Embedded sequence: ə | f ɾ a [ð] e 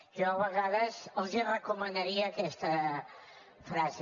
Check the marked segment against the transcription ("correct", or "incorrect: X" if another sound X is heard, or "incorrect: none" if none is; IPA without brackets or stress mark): incorrect: z